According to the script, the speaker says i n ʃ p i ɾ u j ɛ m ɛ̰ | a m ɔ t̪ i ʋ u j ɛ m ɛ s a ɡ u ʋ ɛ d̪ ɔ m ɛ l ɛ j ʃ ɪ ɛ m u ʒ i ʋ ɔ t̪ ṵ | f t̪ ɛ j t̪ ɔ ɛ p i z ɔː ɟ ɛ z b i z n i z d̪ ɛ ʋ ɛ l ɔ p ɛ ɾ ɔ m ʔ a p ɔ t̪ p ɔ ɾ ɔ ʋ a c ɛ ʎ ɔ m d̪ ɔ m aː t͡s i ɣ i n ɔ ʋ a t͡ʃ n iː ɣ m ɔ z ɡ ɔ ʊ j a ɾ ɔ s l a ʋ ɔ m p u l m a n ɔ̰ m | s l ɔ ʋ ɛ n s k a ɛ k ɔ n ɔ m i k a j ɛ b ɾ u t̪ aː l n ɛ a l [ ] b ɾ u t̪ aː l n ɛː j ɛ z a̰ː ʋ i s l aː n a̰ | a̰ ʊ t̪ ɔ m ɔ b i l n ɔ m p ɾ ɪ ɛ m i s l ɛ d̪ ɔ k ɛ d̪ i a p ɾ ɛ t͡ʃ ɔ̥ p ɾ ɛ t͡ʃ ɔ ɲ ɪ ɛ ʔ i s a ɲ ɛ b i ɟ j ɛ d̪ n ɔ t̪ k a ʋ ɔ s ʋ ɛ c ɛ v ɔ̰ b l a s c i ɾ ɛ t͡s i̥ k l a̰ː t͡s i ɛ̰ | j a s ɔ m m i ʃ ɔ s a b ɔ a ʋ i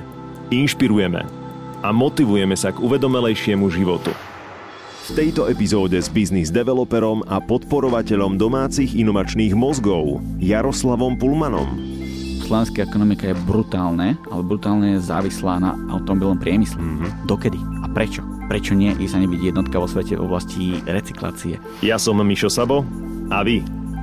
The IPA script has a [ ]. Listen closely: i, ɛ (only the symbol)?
ɛ